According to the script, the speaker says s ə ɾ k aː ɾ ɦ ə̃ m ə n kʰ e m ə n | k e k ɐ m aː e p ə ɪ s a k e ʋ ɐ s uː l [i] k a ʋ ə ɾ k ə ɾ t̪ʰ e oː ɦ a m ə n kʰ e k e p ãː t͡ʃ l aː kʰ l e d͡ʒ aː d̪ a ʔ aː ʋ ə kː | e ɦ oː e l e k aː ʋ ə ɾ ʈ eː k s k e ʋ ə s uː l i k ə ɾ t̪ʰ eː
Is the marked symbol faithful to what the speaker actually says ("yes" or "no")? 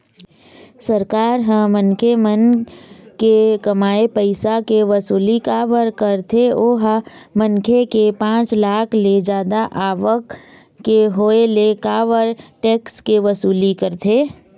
yes